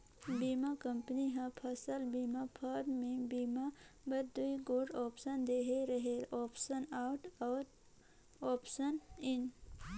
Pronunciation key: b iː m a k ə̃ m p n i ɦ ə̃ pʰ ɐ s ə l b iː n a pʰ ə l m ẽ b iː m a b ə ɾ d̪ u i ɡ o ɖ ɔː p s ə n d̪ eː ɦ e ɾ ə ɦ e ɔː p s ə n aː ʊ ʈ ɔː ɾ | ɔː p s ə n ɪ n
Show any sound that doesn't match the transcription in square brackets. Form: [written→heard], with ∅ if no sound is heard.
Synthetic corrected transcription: b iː m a k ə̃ m p n i ɦ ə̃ pʰ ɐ s ə l b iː [n→m] a pʰ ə [l→ɾ] m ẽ b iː m a b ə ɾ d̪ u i ɡ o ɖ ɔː p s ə n d̪ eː ɦ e ɾ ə ɦ e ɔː p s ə n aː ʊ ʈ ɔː ɾ | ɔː p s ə n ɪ n